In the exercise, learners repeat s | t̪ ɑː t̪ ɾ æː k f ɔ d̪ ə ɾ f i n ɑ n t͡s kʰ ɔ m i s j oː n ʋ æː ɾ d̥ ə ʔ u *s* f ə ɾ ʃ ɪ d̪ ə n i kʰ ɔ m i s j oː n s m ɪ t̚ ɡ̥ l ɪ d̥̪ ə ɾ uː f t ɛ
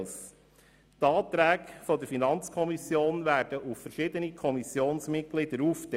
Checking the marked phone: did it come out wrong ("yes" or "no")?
yes